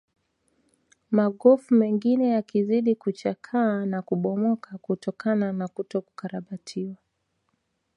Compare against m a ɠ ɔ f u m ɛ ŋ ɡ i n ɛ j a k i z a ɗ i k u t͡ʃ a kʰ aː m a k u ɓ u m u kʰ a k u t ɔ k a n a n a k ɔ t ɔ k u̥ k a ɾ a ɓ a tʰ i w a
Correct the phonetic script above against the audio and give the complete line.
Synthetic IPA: m a ɠ ɔ f u m ɛ ŋ ɡ i n ɛ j a k i z i ɗ i k u t͡ʃ a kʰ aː n a k u ɓ ɔ m ɔ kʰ a k u t ɔ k a n a n a k u t ɔ k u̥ k a ɾ a ɓ a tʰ i w a